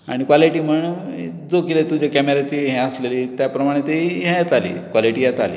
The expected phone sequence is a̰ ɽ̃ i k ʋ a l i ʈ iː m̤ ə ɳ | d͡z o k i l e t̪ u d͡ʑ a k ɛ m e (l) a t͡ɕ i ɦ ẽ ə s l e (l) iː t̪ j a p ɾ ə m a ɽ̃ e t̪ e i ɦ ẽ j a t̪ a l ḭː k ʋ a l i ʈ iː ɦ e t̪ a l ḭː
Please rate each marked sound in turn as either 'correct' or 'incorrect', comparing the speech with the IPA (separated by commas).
incorrect, correct